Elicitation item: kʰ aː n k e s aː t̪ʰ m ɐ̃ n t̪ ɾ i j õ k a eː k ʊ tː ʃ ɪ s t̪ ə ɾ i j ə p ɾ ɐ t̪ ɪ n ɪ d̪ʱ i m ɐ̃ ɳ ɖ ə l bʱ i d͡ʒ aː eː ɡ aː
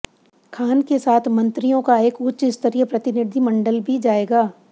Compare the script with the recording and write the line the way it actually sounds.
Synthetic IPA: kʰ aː n k e s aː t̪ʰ m ɐ̃ n t̪ ɾ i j õ k a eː k ʊ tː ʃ ɪ s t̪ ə ɾ i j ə p ɾ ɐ t̪ ɪ n ɪ d̪ʱ i m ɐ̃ ɳ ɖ ə l bʱ i d͡ʒ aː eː ɡ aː